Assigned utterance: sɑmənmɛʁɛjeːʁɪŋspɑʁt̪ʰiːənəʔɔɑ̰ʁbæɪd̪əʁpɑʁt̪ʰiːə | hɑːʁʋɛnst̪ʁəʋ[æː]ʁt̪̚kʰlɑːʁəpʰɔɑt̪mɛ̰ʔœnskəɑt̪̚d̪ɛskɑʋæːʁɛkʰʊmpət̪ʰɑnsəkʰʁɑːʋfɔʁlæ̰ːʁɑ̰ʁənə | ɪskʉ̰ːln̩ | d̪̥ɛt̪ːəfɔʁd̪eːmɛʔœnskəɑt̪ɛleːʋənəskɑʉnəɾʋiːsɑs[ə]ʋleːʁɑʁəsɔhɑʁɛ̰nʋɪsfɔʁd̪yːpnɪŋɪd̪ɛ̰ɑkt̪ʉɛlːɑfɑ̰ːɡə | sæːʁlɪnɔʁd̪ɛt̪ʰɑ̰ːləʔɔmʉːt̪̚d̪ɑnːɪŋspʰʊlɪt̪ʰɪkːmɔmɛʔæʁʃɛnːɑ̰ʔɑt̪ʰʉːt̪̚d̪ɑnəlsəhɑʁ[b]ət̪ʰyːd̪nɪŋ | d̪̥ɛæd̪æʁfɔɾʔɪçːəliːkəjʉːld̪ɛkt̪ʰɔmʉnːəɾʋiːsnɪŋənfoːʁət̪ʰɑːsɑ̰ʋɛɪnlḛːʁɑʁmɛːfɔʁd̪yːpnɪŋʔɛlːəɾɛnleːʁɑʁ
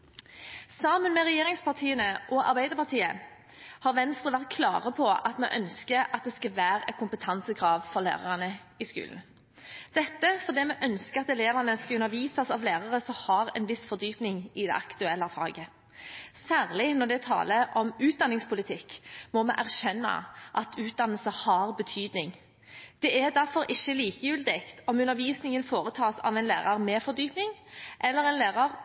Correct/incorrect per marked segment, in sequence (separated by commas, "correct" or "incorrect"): incorrect, incorrect, correct